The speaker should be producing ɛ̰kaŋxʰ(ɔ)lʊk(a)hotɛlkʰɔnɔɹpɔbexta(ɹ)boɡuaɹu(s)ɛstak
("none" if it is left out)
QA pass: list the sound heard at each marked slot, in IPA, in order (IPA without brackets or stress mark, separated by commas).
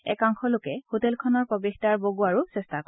ɔ, ɛ, ɹ, s